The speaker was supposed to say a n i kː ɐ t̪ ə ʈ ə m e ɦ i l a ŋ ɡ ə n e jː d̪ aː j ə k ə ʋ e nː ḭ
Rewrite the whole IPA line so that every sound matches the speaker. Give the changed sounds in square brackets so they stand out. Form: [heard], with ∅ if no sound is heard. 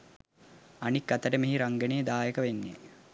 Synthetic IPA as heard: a n i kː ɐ t̪ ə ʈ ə m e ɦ i [ɾ] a ŋ ɡ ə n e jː d̪ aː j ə k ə ʋ e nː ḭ